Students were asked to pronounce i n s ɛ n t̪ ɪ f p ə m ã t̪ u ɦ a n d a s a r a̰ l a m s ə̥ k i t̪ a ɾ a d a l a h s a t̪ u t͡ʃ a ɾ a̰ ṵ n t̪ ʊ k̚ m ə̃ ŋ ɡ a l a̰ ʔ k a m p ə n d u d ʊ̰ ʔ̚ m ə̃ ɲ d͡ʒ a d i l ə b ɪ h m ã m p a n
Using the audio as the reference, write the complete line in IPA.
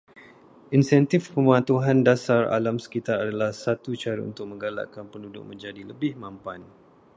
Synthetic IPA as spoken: i n s ɛ n t̪ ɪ f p ə m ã t̪ u ɦ a n d a s a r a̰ l a m s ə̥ k i t̪ a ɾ a d a l a h s a t̪ u t͡ʃ a ɾ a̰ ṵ n t̪ ʊ k̚ m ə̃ ŋ ɡ a l a̰ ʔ k a n p ə n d u d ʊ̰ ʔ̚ m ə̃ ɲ d͡ʒ a d i l ə b ɪ h m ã m p a n